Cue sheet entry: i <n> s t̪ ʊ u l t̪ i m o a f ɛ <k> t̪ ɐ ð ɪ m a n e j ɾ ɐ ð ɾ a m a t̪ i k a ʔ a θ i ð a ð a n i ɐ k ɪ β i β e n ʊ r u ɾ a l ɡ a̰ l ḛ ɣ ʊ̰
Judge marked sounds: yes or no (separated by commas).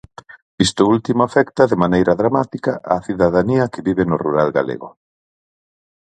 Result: no, yes